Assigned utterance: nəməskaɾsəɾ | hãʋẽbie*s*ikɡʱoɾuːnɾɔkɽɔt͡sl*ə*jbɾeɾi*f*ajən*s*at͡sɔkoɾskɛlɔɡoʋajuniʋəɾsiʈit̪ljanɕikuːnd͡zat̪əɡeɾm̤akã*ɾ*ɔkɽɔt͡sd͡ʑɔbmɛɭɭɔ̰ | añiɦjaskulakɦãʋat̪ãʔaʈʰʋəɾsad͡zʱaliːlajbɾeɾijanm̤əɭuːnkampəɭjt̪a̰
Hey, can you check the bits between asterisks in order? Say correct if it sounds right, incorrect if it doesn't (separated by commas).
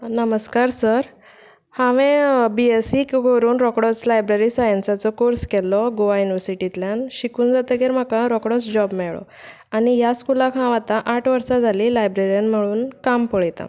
correct, incorrect, incorrect, correct, correct